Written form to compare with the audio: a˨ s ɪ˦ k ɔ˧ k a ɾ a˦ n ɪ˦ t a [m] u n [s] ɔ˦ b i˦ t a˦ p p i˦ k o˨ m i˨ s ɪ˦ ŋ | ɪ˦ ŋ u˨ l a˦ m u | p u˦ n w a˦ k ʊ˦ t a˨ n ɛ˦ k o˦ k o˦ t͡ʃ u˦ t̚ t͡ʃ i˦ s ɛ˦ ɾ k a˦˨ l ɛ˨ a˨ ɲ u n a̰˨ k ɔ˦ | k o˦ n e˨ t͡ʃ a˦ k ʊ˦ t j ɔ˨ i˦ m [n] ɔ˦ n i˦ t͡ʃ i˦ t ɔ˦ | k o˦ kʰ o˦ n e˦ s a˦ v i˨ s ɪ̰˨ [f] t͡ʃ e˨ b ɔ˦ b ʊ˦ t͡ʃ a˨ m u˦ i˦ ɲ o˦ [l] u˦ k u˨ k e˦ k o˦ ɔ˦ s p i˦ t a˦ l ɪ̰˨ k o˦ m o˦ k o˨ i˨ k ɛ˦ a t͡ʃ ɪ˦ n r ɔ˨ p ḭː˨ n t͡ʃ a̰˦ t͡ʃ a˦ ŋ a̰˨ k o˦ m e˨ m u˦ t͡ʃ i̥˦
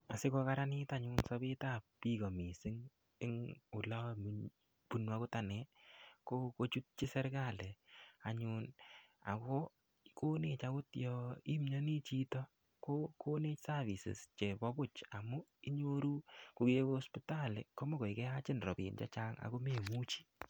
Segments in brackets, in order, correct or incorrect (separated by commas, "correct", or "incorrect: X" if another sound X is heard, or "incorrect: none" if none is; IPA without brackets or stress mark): incorrect: ɲ, correct, incorrect: ɲ, incorrect: s, incorrect: ɾ